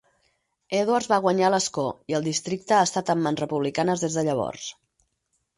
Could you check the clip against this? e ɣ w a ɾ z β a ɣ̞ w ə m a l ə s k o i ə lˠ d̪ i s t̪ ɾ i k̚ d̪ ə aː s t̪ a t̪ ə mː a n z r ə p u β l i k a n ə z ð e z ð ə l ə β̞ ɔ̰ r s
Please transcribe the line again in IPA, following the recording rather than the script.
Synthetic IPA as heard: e ð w a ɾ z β a ɣ̞ w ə ɲ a l ə s k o i ə lˠ d̪ i s t̪ ɾ i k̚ t̪ ə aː s t̪ a t̪ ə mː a n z r ə p u β l i k a n ə z ð e z ð ə ʎ ə β̞ ɔ̰ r s